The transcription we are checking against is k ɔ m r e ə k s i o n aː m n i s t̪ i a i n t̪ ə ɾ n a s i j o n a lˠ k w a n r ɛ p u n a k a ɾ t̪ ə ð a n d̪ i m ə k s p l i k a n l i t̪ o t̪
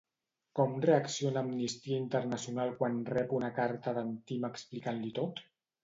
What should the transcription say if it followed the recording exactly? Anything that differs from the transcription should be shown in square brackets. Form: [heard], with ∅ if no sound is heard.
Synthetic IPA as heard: k ɔ m r e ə k s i o n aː m n i s t̪ i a i n t̪ ə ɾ n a s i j [u] n a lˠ k w a n r ɛ p u n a k a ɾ t̪ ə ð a n [t̪] i m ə k s p l i k a n l i t̪ o t̪